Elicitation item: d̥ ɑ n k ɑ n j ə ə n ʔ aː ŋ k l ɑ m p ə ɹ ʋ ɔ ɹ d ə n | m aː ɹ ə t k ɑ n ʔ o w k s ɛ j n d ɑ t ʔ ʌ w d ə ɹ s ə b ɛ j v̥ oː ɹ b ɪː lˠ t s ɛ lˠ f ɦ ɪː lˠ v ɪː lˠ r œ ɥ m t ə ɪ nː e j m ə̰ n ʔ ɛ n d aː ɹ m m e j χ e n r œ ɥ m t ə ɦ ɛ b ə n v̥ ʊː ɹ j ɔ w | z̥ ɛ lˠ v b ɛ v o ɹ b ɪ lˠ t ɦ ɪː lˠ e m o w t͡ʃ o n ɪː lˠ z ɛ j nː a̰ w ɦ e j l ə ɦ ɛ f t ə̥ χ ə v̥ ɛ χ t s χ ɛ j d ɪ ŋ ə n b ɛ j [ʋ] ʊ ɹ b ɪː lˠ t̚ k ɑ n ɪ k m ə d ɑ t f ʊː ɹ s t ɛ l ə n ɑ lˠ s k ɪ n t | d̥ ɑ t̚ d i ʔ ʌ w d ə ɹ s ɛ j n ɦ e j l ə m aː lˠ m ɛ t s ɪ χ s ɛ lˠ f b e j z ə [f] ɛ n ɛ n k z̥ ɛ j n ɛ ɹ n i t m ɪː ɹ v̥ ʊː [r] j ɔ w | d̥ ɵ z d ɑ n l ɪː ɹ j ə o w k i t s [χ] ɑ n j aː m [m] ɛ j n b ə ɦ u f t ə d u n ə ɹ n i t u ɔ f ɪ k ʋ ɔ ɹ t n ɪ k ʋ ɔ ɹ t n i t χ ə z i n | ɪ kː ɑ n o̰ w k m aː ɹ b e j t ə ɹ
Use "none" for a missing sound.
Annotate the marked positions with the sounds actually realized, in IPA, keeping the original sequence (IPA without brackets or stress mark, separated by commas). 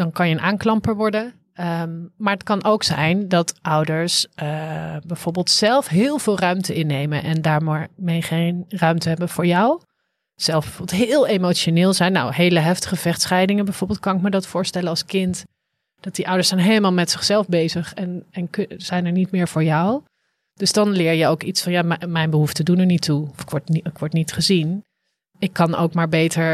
v, χ, ɹ, f, m